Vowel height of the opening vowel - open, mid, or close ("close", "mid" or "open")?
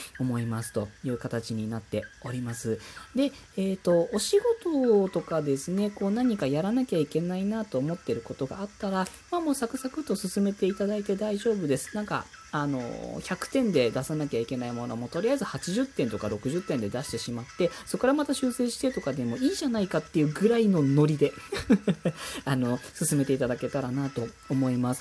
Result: mid